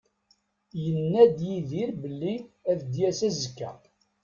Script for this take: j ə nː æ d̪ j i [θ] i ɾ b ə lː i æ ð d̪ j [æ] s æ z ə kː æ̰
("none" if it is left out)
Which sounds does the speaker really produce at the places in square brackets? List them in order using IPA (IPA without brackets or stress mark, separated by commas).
ð, æ